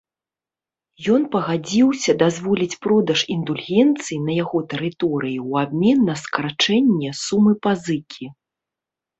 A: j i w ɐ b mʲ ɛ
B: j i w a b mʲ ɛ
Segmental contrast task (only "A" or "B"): B